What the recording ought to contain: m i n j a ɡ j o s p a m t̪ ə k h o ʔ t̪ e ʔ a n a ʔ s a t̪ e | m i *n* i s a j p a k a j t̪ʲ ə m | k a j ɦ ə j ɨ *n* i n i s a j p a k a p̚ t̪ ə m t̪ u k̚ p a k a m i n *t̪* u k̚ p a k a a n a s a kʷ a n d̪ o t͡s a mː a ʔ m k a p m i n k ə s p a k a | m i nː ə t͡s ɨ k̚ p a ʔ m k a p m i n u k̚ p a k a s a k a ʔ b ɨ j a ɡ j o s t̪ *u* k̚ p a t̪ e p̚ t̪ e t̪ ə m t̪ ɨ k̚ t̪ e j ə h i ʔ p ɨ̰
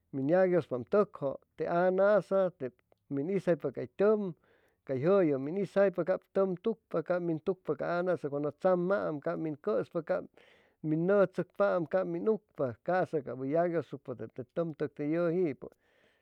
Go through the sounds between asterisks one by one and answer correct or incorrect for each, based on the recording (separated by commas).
correct, incorrect, correct, correct